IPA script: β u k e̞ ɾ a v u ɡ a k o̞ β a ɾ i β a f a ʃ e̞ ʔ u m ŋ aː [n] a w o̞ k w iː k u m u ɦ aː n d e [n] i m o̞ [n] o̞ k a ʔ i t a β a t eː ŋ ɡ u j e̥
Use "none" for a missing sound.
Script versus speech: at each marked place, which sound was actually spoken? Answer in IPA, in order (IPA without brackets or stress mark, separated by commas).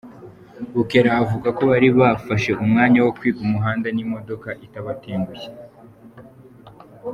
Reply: ɲ, n, d